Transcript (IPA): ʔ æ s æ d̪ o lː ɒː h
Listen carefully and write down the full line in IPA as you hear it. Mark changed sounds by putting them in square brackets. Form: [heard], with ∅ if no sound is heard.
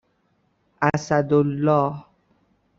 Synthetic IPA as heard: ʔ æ s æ d̪ o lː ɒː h